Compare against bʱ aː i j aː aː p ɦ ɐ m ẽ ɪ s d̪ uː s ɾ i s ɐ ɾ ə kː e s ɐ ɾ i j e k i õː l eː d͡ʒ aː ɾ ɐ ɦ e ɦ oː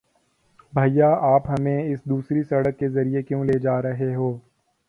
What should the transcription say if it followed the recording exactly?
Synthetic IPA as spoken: bʱ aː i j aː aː p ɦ ɐ m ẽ ɪ s d̪ uː s ɾ i s ɐ ɽ ə kː e z ɐ ɾ i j e k j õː l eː d͡ʒ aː ɾ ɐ ɦ e ɦ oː